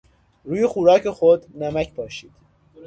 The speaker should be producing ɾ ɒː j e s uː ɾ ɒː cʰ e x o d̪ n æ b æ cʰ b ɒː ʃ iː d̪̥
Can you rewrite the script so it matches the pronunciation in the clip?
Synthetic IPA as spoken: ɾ uː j e x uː ɾ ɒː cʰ e x o d̪ n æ m æ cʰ b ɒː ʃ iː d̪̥